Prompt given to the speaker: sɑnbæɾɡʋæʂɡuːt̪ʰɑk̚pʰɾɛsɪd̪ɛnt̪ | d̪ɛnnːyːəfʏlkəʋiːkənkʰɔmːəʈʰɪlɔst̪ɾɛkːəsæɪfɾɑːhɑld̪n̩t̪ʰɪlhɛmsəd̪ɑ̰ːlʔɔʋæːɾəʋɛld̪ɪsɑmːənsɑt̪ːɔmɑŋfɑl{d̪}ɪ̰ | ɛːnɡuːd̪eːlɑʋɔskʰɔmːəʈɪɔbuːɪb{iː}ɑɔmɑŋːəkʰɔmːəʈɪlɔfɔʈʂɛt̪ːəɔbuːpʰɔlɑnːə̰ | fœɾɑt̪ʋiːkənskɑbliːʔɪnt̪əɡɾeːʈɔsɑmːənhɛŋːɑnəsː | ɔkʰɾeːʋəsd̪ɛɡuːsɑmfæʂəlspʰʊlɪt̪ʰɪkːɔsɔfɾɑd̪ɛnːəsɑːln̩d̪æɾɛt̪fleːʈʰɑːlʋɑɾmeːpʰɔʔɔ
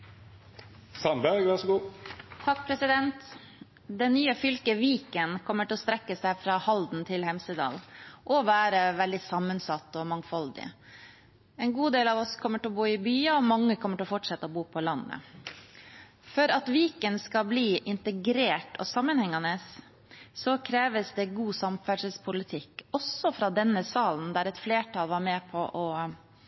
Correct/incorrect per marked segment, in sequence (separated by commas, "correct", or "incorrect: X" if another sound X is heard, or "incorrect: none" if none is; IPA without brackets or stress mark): correct, incorrect: yː